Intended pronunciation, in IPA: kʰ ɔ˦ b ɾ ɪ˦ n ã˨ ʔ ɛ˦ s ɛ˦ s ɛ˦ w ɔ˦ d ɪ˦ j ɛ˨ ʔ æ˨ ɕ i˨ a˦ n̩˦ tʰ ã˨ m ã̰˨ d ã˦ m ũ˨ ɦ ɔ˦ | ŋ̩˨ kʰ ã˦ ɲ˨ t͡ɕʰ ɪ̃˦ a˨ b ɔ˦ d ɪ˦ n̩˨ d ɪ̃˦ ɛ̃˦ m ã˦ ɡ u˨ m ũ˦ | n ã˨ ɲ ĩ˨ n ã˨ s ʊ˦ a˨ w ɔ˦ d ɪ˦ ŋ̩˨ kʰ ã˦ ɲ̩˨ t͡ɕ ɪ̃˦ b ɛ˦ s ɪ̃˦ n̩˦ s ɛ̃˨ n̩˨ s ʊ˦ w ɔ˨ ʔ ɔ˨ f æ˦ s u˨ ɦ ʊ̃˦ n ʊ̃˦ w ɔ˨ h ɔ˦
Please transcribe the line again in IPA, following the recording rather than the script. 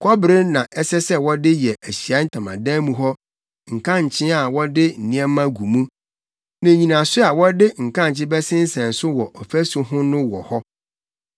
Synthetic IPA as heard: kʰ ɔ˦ b ɾ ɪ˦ n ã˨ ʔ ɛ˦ s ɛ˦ s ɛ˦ w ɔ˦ d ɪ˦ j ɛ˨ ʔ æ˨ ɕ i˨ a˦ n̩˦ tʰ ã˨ m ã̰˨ d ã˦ m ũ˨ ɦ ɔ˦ | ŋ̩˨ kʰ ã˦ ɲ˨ t͡ɕʰ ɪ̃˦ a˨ w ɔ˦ d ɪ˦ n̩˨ n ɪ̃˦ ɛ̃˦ m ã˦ ɡ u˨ m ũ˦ | n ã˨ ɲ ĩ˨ n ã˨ s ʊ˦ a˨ w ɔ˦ d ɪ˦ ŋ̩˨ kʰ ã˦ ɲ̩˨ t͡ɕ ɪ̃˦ b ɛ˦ s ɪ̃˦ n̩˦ s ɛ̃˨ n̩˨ s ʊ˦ w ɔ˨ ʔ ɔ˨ f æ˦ s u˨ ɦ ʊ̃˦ n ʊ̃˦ w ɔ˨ h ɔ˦

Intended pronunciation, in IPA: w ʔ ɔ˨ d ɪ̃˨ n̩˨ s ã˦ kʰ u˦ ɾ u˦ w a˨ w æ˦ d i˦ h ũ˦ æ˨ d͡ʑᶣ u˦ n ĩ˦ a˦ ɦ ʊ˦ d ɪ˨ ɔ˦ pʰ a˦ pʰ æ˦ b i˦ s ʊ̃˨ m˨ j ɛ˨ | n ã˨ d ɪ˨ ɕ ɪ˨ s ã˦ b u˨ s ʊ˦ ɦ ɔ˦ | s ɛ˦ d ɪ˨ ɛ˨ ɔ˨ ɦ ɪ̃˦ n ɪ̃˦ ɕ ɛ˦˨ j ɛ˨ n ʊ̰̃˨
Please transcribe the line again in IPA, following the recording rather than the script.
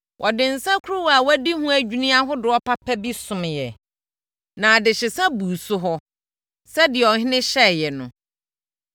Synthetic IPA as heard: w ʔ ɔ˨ d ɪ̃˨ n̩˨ s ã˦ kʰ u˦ ɾ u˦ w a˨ w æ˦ d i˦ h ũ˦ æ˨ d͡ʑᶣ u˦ n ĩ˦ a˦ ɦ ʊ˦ d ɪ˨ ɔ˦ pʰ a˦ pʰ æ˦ b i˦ s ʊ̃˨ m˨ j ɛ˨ | n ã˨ d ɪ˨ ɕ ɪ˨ s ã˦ b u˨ s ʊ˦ ɦ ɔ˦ | s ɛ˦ d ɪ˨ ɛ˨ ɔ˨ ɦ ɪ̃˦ n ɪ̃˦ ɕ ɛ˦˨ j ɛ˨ n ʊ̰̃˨

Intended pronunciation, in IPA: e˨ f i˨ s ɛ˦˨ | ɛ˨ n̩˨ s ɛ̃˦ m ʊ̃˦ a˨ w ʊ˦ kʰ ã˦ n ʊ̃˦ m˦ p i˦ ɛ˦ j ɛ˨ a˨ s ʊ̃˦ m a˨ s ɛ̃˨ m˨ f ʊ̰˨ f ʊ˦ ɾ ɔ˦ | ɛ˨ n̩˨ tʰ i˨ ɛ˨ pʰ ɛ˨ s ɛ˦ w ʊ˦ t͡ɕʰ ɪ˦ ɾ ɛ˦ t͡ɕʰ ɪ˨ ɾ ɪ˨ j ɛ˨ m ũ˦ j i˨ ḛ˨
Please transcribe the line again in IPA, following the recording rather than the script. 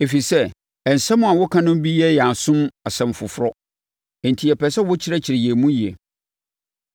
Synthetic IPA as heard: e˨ f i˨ s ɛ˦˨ | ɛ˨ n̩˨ s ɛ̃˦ m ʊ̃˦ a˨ w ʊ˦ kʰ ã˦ n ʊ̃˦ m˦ b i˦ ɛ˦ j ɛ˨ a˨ s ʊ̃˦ m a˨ s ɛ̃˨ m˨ f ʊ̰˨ f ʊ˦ ɾ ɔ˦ | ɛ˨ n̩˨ tʰ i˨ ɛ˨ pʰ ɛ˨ s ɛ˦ w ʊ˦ t͡ɕʰ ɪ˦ ɾ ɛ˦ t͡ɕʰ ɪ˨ ɾ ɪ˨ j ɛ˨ m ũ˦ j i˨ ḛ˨

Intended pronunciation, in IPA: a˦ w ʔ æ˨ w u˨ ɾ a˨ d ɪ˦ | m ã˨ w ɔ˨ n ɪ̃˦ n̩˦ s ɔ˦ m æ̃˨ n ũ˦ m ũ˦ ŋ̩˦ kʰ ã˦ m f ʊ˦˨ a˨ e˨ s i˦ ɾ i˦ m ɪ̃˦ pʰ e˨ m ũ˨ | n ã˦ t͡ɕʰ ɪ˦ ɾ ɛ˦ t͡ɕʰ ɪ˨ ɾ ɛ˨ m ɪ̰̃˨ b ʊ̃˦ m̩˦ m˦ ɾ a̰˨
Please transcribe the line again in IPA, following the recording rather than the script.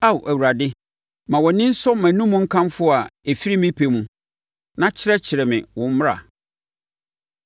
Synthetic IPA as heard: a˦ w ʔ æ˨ w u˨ ɾ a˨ d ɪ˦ | m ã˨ w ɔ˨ n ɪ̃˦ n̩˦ s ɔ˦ m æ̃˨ n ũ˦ m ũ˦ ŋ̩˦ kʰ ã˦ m f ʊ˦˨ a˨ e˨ f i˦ ɾ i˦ m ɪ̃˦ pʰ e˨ m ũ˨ | n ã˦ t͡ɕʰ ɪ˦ ɾ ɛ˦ t͡ɕʰ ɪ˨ ɾ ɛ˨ m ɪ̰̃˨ w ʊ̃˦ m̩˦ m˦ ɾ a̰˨

